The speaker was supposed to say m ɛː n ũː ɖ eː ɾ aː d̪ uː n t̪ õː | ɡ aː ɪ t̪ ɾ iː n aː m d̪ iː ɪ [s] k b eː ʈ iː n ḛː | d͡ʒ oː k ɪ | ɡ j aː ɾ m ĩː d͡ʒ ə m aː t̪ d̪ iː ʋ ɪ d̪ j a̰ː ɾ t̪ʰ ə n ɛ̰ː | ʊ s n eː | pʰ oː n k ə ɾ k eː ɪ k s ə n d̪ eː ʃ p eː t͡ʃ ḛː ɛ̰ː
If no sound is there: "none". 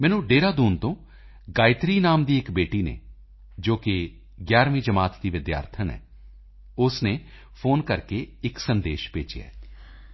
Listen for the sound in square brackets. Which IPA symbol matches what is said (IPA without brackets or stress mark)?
none